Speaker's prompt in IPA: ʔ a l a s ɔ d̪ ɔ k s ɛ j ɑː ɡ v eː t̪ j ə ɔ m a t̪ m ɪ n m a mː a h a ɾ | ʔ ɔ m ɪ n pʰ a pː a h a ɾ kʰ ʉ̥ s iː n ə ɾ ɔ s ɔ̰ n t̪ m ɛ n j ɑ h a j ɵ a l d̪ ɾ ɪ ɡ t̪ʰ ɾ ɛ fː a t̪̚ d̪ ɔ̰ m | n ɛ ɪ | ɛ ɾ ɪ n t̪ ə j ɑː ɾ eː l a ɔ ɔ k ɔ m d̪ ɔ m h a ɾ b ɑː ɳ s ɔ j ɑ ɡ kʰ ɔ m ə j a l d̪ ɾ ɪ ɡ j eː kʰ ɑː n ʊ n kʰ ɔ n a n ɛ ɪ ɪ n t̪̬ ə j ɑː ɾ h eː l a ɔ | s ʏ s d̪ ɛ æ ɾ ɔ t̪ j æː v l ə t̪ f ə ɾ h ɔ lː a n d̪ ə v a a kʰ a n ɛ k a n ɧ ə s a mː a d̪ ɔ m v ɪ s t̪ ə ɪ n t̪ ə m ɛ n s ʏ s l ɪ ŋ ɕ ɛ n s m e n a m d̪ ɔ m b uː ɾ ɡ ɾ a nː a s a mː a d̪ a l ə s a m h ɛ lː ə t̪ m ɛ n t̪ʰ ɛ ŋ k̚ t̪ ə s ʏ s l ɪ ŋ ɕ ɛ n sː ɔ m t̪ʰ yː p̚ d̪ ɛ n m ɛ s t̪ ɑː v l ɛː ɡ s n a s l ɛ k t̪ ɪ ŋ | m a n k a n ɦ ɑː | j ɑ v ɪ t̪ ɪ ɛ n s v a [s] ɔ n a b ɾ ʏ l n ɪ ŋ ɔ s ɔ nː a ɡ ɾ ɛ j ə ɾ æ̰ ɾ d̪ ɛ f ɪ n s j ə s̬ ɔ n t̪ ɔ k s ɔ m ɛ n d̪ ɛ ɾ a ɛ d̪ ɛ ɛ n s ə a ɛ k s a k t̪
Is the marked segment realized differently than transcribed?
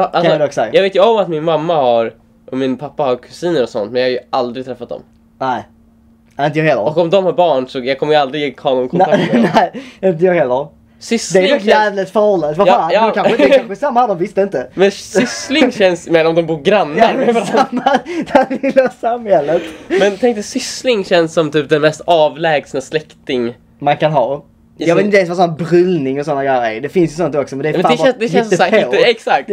no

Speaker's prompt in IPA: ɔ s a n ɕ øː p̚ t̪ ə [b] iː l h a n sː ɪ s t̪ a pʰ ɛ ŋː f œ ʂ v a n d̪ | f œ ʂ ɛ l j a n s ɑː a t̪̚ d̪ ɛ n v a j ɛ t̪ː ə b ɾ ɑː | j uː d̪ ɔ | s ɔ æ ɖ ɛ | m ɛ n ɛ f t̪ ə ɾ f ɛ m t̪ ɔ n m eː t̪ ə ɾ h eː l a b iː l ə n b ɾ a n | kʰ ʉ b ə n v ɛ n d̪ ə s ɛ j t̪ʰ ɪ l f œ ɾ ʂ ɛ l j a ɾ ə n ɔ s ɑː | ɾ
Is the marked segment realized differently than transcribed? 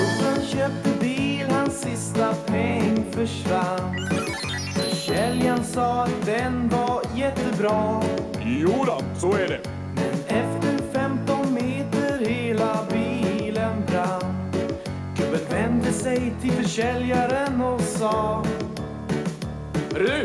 no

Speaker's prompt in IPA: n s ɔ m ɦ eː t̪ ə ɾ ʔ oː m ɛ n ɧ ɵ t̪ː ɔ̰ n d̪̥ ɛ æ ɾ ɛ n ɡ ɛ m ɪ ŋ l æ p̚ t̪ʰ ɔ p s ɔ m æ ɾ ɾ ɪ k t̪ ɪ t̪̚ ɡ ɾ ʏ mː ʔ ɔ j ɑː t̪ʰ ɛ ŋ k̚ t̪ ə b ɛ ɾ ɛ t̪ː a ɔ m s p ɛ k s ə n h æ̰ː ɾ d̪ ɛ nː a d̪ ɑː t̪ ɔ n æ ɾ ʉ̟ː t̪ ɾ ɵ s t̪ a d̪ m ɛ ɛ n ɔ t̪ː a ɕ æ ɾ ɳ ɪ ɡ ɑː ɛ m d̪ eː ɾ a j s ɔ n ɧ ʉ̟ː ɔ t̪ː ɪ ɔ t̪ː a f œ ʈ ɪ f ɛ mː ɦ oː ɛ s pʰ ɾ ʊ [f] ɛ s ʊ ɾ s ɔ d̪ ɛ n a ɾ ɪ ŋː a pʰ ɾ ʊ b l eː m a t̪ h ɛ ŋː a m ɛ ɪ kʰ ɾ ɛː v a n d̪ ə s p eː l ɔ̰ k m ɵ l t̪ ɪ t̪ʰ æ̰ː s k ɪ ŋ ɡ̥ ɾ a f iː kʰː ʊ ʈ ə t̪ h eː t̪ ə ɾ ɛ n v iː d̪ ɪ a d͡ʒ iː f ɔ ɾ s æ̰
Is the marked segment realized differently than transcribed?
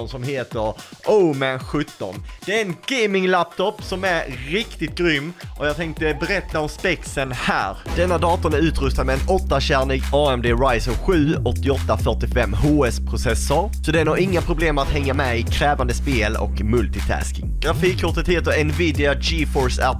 yes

